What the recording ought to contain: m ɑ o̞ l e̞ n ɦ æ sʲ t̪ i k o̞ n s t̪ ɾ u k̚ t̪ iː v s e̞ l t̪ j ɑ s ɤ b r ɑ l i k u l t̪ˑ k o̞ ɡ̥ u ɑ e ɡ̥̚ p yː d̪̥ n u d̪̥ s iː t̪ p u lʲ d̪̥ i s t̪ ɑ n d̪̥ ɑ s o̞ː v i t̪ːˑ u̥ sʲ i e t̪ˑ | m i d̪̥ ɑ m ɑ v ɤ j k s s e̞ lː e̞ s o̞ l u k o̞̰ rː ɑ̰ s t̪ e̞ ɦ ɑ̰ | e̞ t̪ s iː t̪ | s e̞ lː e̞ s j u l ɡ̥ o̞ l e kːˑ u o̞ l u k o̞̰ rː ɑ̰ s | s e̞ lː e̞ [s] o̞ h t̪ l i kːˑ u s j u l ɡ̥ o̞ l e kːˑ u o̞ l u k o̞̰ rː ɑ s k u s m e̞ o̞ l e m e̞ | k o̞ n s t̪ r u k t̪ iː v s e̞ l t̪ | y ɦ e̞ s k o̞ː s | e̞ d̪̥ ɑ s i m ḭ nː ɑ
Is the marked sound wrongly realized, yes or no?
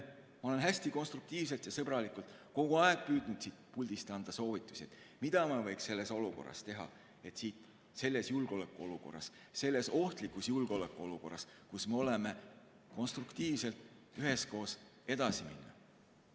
no